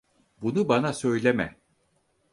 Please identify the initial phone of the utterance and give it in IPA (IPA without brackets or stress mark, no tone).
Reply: b